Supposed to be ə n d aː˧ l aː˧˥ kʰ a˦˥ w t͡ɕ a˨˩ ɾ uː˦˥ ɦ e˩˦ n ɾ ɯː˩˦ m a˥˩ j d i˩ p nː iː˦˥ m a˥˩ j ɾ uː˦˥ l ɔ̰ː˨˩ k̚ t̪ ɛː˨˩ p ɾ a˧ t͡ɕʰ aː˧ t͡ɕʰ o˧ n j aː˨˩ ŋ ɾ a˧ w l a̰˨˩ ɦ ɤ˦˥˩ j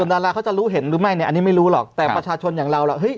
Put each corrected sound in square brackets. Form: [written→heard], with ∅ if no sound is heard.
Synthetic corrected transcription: ə n d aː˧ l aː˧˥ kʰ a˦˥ w t͡ɕ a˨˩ ɾ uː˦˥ ɦ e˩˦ n ɾ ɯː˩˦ m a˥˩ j [d→n] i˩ [p→ʔ] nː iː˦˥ m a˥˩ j ɾ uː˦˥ l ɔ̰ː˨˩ k̚ t̪ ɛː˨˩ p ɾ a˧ t͡ɕʰ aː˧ t͡ɕʰ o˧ n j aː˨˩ ŋ ɾ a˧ w l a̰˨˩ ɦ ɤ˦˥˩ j